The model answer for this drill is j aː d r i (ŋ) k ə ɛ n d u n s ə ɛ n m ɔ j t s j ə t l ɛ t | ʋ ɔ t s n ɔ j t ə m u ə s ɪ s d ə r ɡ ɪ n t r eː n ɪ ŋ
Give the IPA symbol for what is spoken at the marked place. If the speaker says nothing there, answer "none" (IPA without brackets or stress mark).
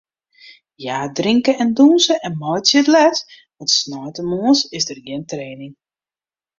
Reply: ŋ